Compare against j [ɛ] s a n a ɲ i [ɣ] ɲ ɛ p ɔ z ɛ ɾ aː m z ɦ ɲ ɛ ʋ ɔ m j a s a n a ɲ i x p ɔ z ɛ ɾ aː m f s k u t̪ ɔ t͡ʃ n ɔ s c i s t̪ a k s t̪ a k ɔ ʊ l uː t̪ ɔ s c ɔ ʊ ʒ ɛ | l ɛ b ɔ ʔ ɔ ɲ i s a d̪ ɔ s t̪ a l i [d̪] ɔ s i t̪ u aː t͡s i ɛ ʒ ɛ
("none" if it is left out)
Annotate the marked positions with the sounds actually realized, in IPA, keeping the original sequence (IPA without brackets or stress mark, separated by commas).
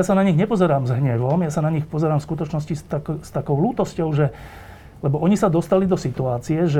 a, ɣ, d̪